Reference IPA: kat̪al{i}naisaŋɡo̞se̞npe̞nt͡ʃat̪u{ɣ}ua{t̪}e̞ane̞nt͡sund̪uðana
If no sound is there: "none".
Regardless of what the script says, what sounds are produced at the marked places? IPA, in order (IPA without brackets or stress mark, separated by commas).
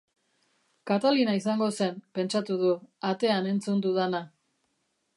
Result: i, ð, t̪